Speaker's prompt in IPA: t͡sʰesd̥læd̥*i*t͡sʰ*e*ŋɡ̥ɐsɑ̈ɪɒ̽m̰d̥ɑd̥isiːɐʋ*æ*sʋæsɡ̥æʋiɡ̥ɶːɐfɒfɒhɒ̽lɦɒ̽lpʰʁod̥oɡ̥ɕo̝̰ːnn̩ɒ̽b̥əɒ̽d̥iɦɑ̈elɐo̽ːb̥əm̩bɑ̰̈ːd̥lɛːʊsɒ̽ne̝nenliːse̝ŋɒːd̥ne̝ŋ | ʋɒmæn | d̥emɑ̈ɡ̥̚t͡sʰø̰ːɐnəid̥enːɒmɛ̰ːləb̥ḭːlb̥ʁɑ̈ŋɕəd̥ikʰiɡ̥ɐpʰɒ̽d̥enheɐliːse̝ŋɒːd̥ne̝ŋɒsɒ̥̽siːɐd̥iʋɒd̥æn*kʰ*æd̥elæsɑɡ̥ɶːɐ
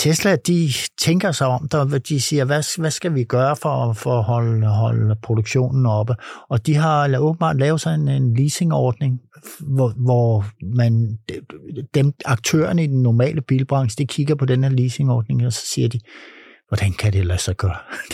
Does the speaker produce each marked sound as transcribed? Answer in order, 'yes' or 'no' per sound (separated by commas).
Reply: yes, yes, yes, yes